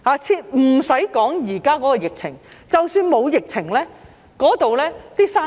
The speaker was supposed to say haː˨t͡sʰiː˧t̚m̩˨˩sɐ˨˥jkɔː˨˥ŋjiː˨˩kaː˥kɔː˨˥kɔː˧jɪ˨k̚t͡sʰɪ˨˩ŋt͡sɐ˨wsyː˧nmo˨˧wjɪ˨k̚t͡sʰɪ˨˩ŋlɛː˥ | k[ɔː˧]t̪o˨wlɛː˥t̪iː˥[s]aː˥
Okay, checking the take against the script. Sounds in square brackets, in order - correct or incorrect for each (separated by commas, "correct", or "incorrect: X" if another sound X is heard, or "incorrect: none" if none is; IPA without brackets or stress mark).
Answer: incorrect: ɔː˨˥, correct